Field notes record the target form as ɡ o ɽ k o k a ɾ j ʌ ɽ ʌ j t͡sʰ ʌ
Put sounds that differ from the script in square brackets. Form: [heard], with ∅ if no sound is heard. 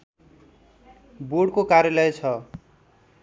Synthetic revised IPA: [b] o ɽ k o k a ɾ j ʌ [l] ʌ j t͡sʰ ʌ